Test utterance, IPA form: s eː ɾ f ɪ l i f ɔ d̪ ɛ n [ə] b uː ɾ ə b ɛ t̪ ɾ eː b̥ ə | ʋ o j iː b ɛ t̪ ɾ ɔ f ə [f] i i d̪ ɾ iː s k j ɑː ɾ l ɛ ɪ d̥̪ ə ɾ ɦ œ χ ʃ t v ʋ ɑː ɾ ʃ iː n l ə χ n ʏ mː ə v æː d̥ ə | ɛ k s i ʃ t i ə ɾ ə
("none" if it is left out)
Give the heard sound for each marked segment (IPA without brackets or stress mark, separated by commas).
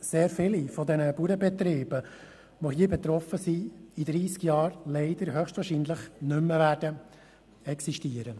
ə, s